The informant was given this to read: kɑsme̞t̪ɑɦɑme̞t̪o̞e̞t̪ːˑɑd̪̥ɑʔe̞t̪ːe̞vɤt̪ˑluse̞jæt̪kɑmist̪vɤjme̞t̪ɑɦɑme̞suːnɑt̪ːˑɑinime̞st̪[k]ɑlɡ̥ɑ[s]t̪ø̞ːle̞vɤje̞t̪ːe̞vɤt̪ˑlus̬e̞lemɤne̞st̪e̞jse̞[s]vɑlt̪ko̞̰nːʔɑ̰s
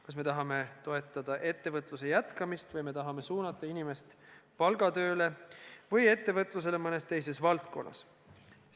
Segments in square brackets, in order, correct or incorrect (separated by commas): incorrect, incorrect, correct